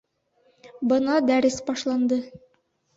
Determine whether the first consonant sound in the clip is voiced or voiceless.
voiced